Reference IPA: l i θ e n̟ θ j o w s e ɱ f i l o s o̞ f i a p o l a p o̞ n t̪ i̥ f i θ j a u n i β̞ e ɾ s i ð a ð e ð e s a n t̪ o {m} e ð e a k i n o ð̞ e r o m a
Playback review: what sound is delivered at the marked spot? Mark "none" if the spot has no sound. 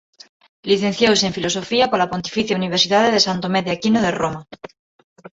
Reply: m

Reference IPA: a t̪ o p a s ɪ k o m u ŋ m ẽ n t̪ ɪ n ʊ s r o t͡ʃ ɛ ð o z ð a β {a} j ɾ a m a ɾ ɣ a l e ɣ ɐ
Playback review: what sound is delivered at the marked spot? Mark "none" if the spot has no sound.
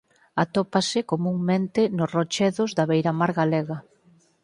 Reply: e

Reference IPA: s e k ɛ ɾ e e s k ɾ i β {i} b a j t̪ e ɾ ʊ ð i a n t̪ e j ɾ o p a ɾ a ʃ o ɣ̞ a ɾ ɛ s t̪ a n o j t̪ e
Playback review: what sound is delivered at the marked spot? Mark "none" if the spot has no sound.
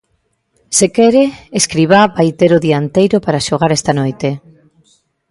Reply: a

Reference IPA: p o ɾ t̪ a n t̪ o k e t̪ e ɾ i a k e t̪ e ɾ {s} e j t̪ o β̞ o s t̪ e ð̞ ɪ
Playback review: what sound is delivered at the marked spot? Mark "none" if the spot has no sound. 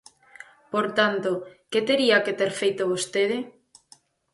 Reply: f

